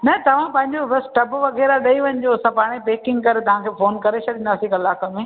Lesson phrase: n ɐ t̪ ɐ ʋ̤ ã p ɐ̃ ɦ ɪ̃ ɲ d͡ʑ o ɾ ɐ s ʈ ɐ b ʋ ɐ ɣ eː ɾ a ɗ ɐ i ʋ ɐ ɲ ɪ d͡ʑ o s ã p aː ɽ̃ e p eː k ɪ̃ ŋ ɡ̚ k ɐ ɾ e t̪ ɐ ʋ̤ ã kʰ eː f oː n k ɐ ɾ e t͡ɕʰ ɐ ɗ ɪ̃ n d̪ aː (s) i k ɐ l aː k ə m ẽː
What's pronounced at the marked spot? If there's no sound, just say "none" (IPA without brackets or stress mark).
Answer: s